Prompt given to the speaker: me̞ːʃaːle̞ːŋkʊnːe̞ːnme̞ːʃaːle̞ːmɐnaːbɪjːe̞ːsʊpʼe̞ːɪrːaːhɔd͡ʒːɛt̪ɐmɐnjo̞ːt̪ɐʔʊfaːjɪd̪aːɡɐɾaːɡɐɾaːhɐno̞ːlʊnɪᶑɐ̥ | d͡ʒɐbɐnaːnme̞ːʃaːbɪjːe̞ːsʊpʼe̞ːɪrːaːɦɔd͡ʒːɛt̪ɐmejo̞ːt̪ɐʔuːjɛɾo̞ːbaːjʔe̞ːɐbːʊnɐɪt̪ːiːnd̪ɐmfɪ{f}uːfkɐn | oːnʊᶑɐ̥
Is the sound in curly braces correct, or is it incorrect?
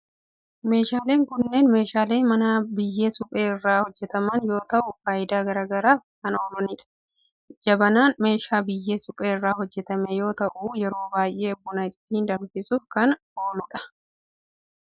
incorrect